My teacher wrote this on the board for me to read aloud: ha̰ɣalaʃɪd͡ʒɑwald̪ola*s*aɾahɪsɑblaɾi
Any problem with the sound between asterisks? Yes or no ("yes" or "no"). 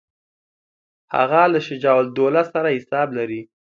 no